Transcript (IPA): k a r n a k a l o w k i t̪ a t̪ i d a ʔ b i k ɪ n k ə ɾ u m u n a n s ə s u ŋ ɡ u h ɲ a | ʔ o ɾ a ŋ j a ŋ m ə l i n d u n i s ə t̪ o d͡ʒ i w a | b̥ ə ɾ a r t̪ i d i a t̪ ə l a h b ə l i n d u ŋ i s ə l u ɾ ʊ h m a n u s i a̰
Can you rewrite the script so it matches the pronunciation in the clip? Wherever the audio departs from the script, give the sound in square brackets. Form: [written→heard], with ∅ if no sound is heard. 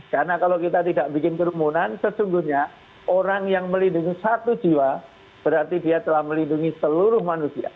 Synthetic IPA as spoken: k a r n a k a l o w k i t̪ a t̪ i d a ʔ b i k ɪ n k ə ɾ u m u n a n s ə s u ŋ ɡ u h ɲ a | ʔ o ɾ a ŋ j a ŋ m ə l i n d u [n→ŋ] i s [ə→a] t̪ [o→u] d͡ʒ i w a | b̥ ə ɾ a r t̪ i d i a t̪ ə l a h [b→m] ə l i n d u ŋ i s ə l u ɾ ʊ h m a n u s i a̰